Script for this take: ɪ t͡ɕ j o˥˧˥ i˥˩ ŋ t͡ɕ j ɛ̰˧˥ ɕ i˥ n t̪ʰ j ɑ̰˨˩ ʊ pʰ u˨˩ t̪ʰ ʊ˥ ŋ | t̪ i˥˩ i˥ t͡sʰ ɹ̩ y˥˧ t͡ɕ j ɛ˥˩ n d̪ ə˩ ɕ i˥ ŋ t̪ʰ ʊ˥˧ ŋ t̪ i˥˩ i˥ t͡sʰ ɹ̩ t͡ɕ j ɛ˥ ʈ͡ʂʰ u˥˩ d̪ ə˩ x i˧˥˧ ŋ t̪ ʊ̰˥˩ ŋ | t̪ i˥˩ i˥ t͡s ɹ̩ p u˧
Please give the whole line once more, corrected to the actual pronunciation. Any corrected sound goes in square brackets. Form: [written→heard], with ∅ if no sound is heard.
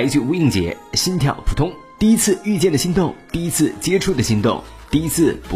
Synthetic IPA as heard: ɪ t͡ɕ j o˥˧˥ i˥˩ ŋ t͡ɕ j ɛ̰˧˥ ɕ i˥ n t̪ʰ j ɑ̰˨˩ ʊ pʰ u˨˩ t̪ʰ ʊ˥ ŋ | t̪ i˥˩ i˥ t͡sʰ ɹ̩ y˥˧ t͡ɕ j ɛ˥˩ n d̪ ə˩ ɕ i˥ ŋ [t̪ʰ→t̪] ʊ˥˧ ŋ t̪ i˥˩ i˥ t͡sʰ ɹ̩ t͡ɕ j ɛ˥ ʈ͡ʂʰ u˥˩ d̪ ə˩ [x→ɕ] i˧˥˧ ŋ t̪ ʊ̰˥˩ ŋ | t̪ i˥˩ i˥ [t͡s→t͡sʰ] ɹ̩ p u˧